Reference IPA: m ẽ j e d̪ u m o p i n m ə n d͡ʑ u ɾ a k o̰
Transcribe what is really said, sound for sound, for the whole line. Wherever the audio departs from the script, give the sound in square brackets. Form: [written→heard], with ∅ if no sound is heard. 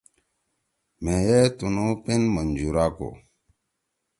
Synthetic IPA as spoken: m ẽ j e [d̪→t̪] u [m→n] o p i n m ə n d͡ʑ u ɾ a k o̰